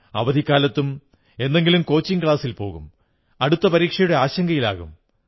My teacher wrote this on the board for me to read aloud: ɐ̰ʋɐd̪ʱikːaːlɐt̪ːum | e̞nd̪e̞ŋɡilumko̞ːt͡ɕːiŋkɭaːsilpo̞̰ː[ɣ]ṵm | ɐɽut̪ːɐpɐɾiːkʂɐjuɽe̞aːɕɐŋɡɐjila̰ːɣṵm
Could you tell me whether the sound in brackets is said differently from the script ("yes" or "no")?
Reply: no